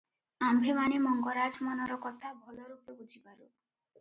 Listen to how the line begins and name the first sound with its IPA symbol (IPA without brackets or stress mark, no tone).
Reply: a